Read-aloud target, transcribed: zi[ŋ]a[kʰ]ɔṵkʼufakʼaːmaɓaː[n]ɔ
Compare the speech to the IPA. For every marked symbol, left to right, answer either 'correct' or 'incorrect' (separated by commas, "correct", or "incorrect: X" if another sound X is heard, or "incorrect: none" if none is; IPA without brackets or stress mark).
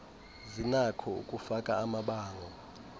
incorrect: n, correct, incorrect: ŋ